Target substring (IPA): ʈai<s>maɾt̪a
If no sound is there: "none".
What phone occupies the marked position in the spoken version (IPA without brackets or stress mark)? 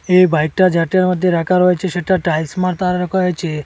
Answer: s